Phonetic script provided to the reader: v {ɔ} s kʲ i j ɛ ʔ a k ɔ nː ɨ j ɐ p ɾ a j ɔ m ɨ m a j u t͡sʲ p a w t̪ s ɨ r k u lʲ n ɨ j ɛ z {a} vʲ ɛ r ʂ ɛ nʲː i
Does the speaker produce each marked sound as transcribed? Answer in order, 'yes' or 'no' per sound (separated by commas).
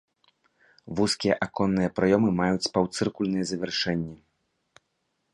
no, no